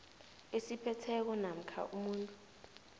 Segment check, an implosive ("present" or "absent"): absent